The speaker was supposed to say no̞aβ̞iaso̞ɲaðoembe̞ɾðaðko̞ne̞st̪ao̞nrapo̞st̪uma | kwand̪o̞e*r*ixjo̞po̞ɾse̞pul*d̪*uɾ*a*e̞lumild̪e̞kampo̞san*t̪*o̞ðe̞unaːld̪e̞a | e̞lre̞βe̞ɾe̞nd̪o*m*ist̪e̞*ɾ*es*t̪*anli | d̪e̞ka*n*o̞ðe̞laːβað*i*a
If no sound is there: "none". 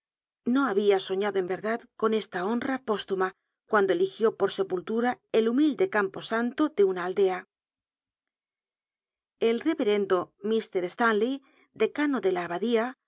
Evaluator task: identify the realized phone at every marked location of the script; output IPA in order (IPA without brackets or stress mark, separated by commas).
l, t̪, a, t̪, m, ɾ, t̪, n, i